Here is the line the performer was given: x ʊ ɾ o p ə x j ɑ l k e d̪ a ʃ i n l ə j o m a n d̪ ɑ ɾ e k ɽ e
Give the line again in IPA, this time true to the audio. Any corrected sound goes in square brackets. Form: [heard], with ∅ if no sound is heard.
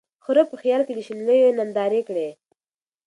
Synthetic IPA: x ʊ ɾ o p ə x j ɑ l k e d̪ [ə] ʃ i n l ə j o [n] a n d̪ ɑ ɾ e k ɽ e